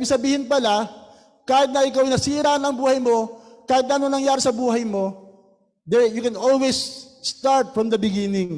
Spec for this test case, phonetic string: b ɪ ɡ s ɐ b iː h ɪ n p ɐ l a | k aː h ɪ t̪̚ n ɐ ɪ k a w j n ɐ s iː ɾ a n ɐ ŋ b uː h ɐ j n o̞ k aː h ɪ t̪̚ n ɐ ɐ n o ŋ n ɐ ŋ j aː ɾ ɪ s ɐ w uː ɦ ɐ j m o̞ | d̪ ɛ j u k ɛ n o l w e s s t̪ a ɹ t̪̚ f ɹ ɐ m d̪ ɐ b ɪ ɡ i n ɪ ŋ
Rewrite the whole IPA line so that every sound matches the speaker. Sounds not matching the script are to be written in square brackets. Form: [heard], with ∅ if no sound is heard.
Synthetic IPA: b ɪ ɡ s ɐ b iː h ɪ n p ɐ l a | k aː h ɪ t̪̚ n ɐ ɪ k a w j n ɐ s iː ɾ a n ɐ ŋ b uː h ɐ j [m] o̞ k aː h ɪ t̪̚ n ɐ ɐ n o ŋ n ɐ ŋ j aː ɾ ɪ s ɐ [b] uː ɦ ɐ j m o̞ | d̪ ɛ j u k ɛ n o l w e s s t̪ a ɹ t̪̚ f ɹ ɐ m d̪ ɐ b ɪ ɡ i n ɪ ŋ